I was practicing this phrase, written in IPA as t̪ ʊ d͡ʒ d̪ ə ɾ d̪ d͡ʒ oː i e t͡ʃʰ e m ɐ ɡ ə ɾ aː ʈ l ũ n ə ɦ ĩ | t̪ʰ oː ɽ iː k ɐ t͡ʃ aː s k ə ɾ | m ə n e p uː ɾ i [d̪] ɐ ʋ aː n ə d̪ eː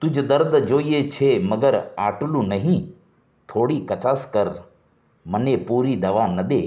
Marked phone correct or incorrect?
correct